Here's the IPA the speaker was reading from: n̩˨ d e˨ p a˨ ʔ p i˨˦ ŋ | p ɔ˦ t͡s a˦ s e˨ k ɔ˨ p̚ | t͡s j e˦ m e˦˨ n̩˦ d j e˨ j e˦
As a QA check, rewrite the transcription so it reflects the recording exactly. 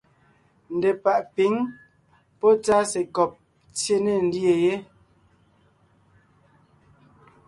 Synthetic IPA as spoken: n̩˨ d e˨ p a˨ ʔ p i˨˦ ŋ | p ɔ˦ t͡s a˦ s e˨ k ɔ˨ p̚ | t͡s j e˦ n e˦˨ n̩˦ d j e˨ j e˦